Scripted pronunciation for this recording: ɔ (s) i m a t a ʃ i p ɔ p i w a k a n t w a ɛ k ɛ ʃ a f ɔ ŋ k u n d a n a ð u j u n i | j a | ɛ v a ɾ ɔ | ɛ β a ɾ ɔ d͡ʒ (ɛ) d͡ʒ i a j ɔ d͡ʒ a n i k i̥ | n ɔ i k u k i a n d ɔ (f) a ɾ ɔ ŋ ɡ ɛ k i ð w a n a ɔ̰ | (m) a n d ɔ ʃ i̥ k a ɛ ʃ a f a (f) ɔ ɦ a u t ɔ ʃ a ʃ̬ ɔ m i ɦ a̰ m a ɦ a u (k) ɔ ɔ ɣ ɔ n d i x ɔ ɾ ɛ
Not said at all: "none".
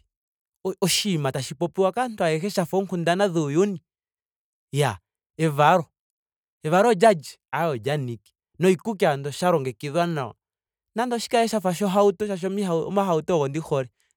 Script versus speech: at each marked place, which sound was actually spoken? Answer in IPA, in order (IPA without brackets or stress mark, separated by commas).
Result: ʃ, a, ʃ, n, ʃ, t